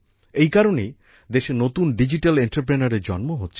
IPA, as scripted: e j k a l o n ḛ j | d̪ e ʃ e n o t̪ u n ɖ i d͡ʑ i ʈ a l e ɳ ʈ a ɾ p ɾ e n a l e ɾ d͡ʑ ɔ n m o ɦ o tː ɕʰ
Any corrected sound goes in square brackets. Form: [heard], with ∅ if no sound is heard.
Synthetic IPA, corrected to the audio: e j k a [ɾ] o n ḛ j | d̪ e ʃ e n o t̪ u n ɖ i d͡ʑ i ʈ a l e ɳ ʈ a ɾ p ɾ e n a [ɾ] e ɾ d͡ʑ ɔ n m o ɦ o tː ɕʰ

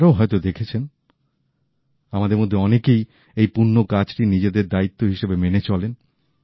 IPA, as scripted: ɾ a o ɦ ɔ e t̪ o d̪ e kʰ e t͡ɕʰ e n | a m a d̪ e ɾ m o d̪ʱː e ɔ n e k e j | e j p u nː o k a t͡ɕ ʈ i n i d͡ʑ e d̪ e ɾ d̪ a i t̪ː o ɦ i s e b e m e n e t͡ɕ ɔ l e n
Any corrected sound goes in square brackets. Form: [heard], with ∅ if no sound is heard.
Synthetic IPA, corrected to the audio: ɾ a o ɦ ɔ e t̪ o d̪ e kʰ e t͡ɕʰ e n | a m a d̪ e ɾ m o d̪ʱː e ɔ n e k e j | e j p u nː o k a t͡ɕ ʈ i n i d͡ʑ e d̪ e ɾ d̪ a i t̪ː o ɦ i [ʃ] e b e m e n e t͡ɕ ɔ l e n

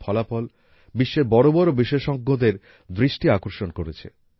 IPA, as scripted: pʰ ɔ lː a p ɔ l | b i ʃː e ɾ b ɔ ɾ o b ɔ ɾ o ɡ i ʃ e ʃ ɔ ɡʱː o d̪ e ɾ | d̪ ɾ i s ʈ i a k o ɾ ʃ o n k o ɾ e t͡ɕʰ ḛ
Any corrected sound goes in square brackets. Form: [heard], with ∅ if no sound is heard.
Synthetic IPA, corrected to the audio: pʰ ɔ [l] a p ɔ l | b i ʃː e ɾ b ɔ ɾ o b ɔ ɾ o [b] i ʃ e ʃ ɔ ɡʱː o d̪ e ɾ | d̪ ɾ i [ʃ] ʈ i a k o ɾ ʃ o n k o ɾ e t͡ɕʰ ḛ

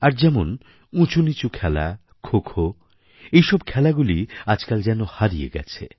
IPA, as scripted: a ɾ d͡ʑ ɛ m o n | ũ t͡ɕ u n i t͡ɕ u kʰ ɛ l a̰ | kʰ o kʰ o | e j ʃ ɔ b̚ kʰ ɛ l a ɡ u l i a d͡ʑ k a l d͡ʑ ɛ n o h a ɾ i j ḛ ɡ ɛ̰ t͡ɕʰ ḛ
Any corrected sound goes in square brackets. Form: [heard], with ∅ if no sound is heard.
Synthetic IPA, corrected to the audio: a ɾ d͡ʑ ɛ m o n | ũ t͡ɕ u n i t͡ɕ u kʰ ɛ l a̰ | kʰ o kʰ o | e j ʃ ɔ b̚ kʰ ɛ l a ɡ u l i a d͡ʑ k a l d͡ʑ ɛ n o h a ɾ i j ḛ ɡ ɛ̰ t͡ɕʰ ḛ

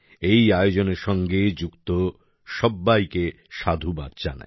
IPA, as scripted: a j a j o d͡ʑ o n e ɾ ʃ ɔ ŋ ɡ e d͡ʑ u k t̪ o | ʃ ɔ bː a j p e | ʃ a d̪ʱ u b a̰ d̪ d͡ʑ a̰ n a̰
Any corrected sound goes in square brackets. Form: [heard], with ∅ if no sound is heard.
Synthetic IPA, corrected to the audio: [e] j a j o d͡ʑ o n e ɾ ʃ ɔ ŋ ɡ e d͡ʑ u k t̪ o | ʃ ɔ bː a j [k] e | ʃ a d̪ʱ u b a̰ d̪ d͡ʑ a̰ n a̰

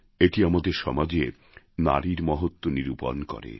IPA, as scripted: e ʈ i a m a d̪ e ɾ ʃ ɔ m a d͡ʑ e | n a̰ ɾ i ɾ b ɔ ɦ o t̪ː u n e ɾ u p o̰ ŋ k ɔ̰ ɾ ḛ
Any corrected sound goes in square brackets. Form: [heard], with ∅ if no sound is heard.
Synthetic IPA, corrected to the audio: e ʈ i a m a d̪ e ɾ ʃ ɔ m a d͡ʑ e | n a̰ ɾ i ɾ [m] ɔ ɦ o t̪ː [o] n [i] ɾ u p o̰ [n] k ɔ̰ ɾ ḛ

